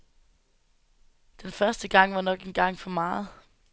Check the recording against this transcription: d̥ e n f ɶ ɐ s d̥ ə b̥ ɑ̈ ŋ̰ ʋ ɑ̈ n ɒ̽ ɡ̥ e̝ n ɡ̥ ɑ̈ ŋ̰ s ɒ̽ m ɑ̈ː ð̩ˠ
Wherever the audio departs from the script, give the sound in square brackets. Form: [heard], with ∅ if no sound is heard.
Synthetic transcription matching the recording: d̥ e n f ɶ ɐ s d̥ ə [ɡ̥] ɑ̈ ŋ̰ ʋ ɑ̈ n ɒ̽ ɡ̥ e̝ n ɡ̥ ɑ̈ ŋ̰ [f] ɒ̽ m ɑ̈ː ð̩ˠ

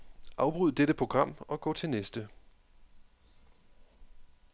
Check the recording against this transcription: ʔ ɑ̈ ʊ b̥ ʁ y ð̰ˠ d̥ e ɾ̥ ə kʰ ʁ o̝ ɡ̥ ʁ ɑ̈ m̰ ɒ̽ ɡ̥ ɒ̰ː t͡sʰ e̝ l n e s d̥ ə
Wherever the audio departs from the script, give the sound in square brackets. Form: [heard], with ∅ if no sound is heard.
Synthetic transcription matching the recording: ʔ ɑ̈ ʊ b̥ ʁ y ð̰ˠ d̥ e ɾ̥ ə [pʰ] ʁ o̝ ɡ̥ ʁ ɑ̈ m̰ ɒ̽ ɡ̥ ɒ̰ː t͡sʰ e̝ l n e s d̥ ə

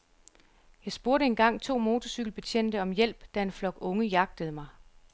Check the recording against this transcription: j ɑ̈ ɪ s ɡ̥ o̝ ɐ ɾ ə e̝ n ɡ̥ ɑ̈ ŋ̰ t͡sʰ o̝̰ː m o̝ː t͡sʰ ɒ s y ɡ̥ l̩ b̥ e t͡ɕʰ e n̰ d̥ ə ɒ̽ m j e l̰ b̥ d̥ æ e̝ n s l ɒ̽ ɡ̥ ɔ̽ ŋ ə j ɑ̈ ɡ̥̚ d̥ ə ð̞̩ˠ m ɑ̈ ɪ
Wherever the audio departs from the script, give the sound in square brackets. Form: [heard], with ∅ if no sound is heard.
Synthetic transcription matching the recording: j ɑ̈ ɪ s [b̥] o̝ ɐ ɾ ə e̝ n ɡ̥ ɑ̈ ŋ̰ t͡sʰ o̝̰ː m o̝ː t͡sʰ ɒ s y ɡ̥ l̩ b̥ e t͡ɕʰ e n̰ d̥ ə ɒ̽ m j e l̰ b̥ d̥ æ e̝ n [f] l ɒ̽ ɡ̥ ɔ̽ ŋ ə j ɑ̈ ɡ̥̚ d̥ ə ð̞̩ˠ m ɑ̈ ɪ

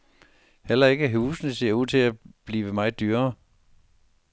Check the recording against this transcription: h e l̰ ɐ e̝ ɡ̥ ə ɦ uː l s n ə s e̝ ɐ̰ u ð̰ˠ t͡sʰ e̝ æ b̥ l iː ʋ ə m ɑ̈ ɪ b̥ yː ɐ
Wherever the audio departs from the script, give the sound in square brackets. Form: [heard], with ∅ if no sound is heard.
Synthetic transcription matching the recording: h e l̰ ɐ e̝ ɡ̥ ə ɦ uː [∅] s n ə s e̝ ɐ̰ u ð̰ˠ t͡sʰ e̝ æ b̥ l iː ʋ ə m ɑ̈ ɪ [d̥] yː ɐ

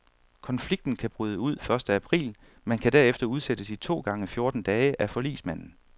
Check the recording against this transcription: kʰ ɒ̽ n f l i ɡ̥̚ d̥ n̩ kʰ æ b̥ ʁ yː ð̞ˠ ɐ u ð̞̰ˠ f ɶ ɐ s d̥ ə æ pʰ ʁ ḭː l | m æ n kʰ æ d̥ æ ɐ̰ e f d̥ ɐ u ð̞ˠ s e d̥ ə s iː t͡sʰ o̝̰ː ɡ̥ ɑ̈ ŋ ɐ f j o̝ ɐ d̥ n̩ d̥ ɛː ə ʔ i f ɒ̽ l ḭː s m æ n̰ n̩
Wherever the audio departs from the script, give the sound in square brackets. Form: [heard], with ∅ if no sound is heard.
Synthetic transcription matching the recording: kʰ ɒ̽ n f l i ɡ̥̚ d̥ n̩ kʰ æ b̥ ʁ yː ð̞ˠ [ə] u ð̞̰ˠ f ɶ ɐ s d̥ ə æ pʰ ʁ ḭː l | m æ n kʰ æ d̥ æ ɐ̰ e f d̥ ɐ u ð̞ˠ s e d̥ ə s [i] t͡sʰ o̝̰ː ɡ̥ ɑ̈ ŋ [ə] f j o̝ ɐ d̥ n̩ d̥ ɛː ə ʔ [æ] f ɒ̽ l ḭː s m æ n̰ n̩

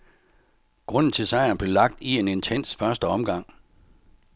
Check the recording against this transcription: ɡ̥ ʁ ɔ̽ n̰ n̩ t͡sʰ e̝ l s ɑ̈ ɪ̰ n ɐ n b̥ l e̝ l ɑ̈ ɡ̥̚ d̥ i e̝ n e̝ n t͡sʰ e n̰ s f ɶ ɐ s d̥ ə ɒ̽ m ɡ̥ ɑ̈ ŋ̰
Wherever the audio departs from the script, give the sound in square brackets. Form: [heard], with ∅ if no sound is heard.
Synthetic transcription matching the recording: ɡ̥ ʁ ɔ̽ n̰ n̩ t͡sʰ e̝ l s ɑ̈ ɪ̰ [∅] ɐ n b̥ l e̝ l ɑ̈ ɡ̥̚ d̥ i e̝ n e̝ n t͡sʰ e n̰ s f ɶ ɐ s d̥ ə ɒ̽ m ɡ̥ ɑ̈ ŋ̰

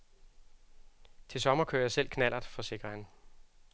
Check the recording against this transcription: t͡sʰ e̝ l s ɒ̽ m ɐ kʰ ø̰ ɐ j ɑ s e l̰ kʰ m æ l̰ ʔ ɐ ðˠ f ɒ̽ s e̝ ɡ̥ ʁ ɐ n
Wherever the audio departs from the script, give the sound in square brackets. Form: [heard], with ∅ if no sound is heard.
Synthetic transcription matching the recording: t͡sʰ e̝ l s ɒ̽ m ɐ kʰ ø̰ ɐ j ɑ s e l̰ kʰ [n] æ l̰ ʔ ɐ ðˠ f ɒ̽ s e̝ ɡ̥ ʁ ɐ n

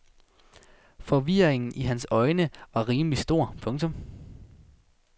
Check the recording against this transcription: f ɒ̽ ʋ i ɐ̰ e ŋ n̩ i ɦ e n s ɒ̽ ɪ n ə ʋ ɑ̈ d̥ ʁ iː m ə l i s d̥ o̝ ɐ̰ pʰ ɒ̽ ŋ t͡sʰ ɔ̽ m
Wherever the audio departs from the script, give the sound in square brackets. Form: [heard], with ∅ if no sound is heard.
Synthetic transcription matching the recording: f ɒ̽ ʋ i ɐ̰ e ŋ n̩ i ɦ [æ] n s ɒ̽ ɪ n ə ʋ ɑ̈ [∅] ʁ iː m ə l i s d̥ o̝ ɐ̰ pʰ [ɔ̽] ŋ t͡sʰ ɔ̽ m

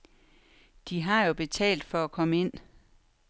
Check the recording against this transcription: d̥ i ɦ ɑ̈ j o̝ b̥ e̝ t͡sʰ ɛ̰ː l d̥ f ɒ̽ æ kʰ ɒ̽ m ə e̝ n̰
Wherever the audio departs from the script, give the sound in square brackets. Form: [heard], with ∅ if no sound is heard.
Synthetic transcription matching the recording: d̥ i ɦ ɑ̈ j o̝ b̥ e̝ t͡sʰ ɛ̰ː l d̥ f ɒ̽ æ kʰ ɒ̽ m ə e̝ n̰

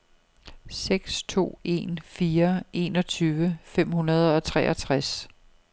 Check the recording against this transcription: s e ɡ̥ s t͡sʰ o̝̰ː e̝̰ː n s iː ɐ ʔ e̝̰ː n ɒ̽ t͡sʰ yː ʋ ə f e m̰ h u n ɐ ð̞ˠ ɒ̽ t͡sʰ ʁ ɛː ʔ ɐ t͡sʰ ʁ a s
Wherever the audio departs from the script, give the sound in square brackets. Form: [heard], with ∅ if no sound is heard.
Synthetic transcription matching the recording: s e ɡ̥ s t͡sʰ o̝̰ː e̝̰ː n [f] iː ɐ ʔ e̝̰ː n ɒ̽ t͡sʰ yː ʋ ə f e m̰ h u n ɐ ð̞ˠ ɒ̽ t͡sʰ ʁ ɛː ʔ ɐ t͡sʰ ʁ a s

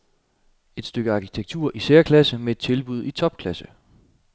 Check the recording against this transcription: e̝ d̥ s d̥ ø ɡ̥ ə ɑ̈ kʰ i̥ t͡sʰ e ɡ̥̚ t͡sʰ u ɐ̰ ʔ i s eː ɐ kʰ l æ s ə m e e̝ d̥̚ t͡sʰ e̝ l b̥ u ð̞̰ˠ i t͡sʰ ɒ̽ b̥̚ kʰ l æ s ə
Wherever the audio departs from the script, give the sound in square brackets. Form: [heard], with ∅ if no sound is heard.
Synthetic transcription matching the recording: e̝ d̥ s d̥ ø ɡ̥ ə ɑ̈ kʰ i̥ t͡sʰ e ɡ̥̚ t͡sʰ u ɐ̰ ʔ i s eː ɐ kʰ l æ s ə m e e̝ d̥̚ t͡sʰ e̝ l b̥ u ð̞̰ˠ i t͡sʰ ɒ̽ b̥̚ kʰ l æ s ə

